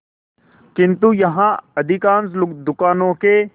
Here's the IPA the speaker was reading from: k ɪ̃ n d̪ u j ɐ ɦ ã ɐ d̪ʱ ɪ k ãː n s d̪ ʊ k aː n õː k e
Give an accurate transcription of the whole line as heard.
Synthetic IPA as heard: k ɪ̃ n t̪ u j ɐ ɦ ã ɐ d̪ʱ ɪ k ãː n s d̪ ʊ k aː n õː k e